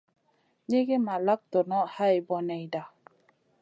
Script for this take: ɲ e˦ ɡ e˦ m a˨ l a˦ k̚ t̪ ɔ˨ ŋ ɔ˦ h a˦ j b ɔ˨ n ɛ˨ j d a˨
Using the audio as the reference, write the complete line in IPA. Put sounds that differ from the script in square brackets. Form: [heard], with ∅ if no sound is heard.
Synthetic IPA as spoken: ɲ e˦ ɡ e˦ m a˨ l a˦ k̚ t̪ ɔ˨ [n] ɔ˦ h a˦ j b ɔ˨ n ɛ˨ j d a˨